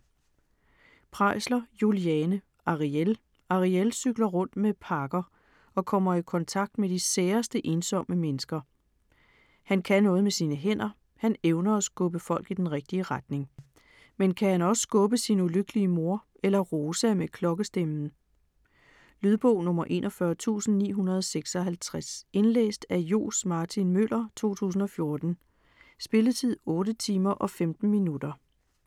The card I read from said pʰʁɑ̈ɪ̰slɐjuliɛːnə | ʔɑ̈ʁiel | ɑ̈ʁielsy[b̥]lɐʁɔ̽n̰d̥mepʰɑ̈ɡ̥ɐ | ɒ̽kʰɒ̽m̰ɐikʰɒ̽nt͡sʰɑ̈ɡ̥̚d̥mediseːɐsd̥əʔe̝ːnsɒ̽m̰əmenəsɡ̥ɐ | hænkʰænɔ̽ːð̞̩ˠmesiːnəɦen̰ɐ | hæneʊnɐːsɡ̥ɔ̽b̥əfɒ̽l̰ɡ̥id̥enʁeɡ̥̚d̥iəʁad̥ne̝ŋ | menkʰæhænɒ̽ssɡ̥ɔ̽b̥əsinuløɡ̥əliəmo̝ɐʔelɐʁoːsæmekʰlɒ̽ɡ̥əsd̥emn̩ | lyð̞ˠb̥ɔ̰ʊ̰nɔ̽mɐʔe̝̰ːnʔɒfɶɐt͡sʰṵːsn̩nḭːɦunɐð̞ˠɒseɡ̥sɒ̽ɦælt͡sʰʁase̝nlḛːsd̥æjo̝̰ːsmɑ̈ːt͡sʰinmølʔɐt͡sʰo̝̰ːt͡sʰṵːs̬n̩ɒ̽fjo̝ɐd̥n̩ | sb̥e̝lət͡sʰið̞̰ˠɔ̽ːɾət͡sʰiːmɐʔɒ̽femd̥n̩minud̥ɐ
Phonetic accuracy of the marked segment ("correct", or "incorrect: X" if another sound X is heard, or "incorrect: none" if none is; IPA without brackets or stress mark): incorrect: ɡ̥